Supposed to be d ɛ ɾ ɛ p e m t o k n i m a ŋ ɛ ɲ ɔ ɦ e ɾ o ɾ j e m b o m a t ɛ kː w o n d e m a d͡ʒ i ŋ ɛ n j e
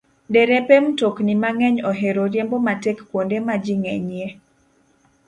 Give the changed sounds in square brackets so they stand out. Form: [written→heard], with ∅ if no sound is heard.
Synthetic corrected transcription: d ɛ ɾ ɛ p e m t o k n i m a ŋ ɛ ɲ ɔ ɦ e ɾ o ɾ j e m b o m a t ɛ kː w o n d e m a d͡ʒ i ŋ ɛ [n→ɲ] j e